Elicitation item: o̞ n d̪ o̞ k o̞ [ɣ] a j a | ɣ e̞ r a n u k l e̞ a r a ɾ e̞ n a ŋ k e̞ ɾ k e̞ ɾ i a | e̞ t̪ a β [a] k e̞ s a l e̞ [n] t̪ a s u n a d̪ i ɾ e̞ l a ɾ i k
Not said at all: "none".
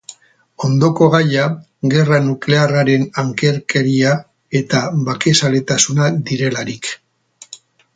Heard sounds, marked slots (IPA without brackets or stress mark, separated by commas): ɣ, a, none